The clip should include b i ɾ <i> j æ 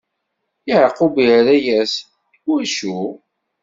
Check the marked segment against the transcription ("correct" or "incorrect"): incorrect